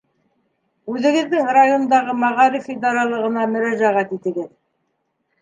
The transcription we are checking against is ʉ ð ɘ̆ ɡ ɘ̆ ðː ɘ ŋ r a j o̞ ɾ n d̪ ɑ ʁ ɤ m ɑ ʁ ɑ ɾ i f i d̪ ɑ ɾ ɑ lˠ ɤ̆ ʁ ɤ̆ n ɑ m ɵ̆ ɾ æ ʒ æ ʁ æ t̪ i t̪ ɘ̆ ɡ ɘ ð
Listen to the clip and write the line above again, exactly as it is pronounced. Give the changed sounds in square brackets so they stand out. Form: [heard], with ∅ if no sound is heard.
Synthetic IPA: ʉ ð ɘ̆ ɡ ɘ̆ ðː ɘ ŋ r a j o̞ [∅] n d̪ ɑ ʁ ɤ m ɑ ʁ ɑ ɾ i f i d̪ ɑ ɾ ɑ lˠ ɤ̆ ʁ ɤ̆ n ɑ m ɵ̆ ɾ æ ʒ æ ʁ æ t̪ i t̪ ɘ̆ ɡ ɘ ð